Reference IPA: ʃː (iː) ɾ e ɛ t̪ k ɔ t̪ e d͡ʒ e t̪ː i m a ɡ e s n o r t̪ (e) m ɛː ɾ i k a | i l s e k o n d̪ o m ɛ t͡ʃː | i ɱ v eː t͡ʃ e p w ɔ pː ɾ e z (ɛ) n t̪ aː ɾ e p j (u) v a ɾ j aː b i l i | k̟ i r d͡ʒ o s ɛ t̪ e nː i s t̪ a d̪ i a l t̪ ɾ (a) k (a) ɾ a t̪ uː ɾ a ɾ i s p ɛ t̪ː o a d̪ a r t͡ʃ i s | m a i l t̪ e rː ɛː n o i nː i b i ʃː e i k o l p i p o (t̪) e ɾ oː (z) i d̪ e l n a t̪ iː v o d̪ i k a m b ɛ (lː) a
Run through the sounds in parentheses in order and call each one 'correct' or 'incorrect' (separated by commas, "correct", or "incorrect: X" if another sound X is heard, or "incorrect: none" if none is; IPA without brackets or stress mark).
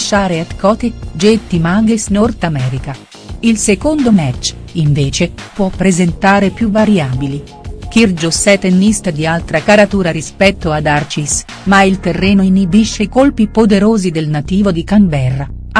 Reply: incorrect: aː, incorrect: a, incorrect: e, correct, correct, correct, incorrect: d̪, correct, incorrect: rː